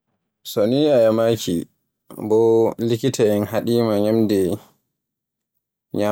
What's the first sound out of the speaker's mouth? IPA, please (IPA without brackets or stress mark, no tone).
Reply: s